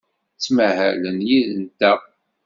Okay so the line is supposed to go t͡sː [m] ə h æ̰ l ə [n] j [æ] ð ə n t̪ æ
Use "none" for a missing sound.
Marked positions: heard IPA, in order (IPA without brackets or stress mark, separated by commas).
m, n, i